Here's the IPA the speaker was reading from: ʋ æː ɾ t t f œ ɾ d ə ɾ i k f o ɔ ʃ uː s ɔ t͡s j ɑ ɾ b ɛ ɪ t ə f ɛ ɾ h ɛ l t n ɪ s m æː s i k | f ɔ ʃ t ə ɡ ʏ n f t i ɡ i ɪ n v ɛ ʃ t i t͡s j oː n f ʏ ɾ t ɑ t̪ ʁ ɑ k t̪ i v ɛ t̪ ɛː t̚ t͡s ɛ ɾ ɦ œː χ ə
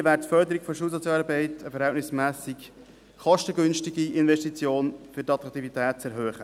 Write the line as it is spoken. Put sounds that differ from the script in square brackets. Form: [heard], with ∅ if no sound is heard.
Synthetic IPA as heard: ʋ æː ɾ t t f œ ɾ d ə ɾ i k f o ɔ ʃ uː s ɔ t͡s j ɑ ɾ b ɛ ɪ t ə f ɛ ɾ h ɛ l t n ɪ s m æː s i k | [χ] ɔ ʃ t ə ɡ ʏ n [ʃ] t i ɡ i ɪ n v ɛ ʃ t i t͡s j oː n f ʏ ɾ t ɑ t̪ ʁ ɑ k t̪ i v [i] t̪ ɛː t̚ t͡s ɛ ɾ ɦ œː χ ə